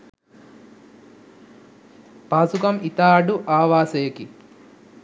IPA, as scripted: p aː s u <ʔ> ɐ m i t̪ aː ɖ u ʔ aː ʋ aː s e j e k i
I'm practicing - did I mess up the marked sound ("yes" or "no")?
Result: yes